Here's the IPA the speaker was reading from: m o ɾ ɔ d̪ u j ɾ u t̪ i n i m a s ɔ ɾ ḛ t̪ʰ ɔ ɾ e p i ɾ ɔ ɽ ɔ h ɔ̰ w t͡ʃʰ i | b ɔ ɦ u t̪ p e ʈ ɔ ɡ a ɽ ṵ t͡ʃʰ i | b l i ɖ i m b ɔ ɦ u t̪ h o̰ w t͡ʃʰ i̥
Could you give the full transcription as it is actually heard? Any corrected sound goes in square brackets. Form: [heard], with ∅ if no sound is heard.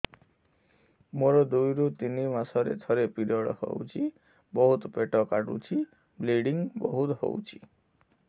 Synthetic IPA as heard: m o ɾ ɔ d̪ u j ɾ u t̪ i n i m a s ɔ ɾ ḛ t̪ʰ ɔ ɾ e p i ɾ ɔ ɽ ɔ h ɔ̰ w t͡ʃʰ i | b ɔ ɦ u t̪ p e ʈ ɔ [k] a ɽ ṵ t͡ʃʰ i | b l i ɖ i [ŋ] b ɔ ɦ u t̪ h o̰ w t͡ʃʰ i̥

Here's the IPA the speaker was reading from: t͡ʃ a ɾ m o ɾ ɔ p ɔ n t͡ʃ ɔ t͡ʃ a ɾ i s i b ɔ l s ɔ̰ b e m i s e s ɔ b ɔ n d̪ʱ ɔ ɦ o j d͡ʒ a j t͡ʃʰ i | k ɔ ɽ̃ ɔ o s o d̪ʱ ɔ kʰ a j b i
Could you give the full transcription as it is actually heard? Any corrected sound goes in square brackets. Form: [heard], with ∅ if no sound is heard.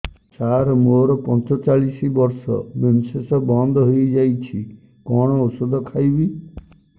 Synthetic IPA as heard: t͡ʃ a ɾ m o ɾ ɔ p ɔ n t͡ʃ ɔ t͡ʃ a [ɭ] i s i b ɔ [ɾ] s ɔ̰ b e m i s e s ɔ b ɔ n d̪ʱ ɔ ɦ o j d͡ʒ a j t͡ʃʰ i | k ɔ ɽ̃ ɔ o s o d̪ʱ ɔ kʰ a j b i

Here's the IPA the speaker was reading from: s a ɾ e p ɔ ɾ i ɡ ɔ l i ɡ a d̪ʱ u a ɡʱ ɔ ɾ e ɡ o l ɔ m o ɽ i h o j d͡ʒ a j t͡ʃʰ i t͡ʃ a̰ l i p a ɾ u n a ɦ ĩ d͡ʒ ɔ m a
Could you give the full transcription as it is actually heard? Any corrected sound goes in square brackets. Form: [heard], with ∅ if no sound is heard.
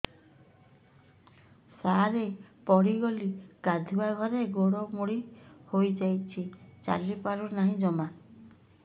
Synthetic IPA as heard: s a ɾ e p ɔ [ɽ] i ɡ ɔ l i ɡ a d̪ʱ u a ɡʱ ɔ ɾ e ɡ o [ɽ] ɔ m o ɽ i h o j d͡ʒ a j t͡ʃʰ i t͡ʃ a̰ l i p a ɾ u n a ɦ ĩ d͡ʒ ɔ m a

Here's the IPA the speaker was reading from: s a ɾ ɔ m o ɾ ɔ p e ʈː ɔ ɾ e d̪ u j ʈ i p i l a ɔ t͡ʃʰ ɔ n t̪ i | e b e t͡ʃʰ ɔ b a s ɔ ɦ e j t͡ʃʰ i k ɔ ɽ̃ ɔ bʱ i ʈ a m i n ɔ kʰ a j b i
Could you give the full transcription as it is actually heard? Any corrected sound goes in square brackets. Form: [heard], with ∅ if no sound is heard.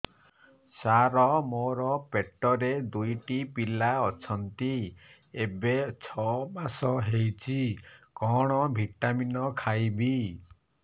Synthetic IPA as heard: s a ɾ ɔ m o ɾ ɔ p e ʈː ɔ ɾ e d̪ u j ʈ i p i l a ɔ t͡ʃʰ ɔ n t̪ i | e b e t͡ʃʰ ɔ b a s ɔ ɦ e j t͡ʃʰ i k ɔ ɽ̃ ɔ bʱ i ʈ a m i n ɔ kʰ a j b i

